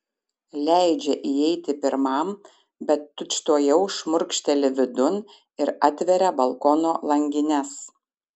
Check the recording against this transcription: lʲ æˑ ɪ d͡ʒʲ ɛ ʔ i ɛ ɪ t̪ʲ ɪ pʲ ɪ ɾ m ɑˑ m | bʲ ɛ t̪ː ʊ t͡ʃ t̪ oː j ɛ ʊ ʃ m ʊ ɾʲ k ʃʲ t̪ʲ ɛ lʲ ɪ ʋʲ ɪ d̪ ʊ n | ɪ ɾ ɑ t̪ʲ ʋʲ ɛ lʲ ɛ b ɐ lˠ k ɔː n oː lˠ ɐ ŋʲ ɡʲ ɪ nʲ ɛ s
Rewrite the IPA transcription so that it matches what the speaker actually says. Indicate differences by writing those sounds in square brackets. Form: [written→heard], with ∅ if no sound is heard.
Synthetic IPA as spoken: lʲ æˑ ɪ d͡ʒʲ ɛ ʔ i ɛ ɪ t̪ʲ ɪ pʲ ɪ ɾ m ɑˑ m | bʲ ɛ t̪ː ʊ t͡ʃ t̪ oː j ɛ ʊ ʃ m ʊ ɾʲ k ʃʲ t̪ʲ ɛ lʲ ɪ ʋʲ ɪ d̪ ʊ n | ɪ ɾ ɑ t̪ʲ ʋʲ ɛ [lʲ→ɾʲ] ɛ b ɐ lˠ k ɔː n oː lˠ ɐ ŋʲ ɡʲ ɪ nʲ ɛ s